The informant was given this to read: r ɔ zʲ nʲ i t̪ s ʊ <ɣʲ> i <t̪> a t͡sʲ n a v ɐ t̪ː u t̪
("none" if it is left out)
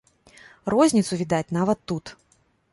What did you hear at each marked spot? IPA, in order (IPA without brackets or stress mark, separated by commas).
vʲ, d̪